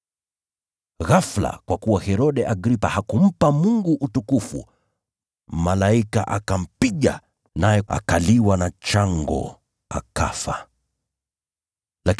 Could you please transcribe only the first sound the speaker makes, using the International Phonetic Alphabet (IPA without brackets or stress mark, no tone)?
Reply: ɣ